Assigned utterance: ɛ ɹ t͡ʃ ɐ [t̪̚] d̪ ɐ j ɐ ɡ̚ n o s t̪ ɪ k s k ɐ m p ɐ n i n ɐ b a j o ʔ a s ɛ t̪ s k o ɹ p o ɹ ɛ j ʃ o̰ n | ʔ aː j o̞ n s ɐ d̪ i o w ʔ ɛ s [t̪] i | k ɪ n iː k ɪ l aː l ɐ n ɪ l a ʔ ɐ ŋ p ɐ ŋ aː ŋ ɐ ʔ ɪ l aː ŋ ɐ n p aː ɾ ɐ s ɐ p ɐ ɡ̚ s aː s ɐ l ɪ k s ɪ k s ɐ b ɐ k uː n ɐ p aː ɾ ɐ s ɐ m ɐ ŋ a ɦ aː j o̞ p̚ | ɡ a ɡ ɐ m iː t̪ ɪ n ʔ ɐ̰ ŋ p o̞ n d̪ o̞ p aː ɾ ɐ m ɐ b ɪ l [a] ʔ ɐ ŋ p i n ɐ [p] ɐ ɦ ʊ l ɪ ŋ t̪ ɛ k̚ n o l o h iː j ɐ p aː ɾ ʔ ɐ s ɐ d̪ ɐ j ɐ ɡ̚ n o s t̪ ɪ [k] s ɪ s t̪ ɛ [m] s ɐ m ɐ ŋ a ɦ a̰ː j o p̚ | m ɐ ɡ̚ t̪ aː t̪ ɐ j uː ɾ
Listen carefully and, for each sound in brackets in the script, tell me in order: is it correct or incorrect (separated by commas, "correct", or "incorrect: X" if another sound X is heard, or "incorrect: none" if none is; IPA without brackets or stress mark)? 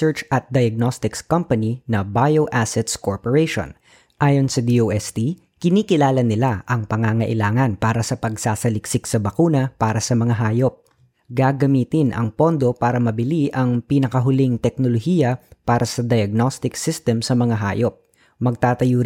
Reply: correct, correct, incorrect: i, incorrect: k, correct, correct